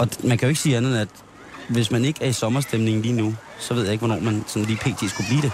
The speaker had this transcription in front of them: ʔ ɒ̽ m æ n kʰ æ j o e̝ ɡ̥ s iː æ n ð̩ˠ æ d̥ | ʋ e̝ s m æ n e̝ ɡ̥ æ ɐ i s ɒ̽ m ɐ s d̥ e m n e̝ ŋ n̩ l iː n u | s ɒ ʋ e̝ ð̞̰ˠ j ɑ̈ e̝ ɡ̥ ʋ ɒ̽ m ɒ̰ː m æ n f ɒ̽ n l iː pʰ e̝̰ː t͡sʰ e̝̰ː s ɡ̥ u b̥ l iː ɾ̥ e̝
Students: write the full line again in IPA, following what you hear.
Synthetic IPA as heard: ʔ ɒ̽ m æ n kʰ æ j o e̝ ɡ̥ s iː æ n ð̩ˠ æ d̥ | ʋ e̝ s m æ n e̝ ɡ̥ æ ɐ i s ɒ̽ m ɐ s d̥ e m n e̝ ŋ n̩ l iː n u | s ɒ ʋ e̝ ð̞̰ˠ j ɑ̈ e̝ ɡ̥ ʋ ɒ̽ n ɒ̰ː m æ n s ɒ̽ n l iː pʰ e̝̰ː t͡sʰ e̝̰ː s ɡ̥ u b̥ l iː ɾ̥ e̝